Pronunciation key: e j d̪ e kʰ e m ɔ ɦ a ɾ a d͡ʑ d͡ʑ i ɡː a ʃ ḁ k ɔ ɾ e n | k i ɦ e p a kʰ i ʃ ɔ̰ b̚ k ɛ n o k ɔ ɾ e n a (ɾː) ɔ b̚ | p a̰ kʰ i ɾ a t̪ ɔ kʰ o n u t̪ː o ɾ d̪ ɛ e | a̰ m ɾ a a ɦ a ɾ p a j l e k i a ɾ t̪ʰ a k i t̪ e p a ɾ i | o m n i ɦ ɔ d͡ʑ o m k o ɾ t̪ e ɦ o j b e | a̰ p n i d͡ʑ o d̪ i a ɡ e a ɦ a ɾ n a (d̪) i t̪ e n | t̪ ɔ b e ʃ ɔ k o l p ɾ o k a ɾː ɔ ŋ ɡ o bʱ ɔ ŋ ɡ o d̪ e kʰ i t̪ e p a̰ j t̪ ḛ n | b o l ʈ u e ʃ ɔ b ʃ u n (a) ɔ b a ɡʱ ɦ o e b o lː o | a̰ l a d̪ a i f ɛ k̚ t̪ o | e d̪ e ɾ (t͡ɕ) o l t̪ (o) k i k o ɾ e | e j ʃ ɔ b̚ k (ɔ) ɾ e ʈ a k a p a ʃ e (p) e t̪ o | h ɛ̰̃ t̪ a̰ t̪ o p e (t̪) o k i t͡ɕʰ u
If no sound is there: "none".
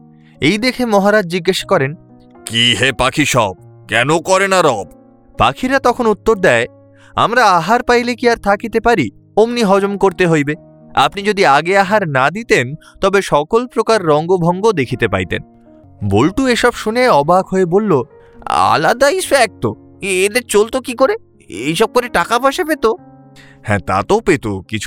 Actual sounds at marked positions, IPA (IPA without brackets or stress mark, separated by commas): ɾ, d̪, e, t͡ɕ, o, o, p, t̪